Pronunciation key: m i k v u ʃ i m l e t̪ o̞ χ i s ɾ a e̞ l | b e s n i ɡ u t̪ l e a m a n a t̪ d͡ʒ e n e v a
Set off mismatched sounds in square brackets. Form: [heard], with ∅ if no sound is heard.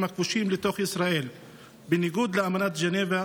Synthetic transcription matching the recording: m [a] k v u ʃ i m l e t̪ o̞ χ i s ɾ a e̞ l | b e [∅] n i ɡ u [d̪] l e a m a n a t̪ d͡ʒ e n e v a